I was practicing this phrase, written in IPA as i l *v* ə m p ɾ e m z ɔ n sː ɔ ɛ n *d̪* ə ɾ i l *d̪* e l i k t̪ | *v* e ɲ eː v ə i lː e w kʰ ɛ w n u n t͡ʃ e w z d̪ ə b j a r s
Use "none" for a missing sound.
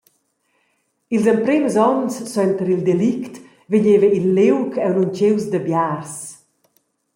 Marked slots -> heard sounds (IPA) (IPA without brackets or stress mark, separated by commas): z, t̪, d̪, v